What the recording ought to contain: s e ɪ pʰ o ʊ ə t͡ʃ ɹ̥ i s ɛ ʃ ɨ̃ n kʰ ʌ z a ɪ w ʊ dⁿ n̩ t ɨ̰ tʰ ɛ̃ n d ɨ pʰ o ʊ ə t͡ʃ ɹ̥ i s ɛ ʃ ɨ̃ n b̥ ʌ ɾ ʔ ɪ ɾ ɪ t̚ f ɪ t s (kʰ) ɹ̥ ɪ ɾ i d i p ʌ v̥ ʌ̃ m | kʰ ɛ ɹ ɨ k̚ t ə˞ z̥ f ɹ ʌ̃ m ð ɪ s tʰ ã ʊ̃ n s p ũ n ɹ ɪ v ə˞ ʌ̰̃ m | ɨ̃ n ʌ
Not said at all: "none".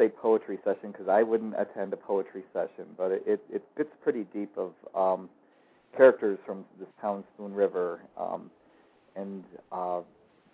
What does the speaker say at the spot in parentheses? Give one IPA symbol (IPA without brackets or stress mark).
pʰ